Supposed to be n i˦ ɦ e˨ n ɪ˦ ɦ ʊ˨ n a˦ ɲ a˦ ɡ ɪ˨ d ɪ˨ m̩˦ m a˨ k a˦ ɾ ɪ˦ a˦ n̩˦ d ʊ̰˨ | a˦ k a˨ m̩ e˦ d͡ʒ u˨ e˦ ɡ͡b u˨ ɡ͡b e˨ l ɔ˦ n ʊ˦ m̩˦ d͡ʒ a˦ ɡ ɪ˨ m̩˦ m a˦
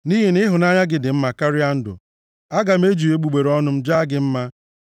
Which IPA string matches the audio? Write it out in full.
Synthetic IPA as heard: n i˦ ɦ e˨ n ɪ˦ ɦ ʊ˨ n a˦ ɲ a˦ ɡ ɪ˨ d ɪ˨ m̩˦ m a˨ k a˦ ɾ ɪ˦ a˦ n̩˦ d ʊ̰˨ | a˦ ɡ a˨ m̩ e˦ d͡ʒ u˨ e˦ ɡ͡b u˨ ɡ͡b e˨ ɾ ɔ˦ n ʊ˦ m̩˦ d͡ʒ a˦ ɡ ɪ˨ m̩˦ m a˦